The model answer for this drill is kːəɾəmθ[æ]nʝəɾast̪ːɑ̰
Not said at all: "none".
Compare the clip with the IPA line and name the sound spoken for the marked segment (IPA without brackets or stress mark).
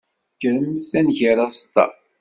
æ